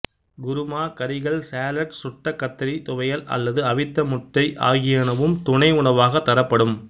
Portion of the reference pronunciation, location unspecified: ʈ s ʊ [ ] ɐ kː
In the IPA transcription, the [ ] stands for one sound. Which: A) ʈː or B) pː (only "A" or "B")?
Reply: A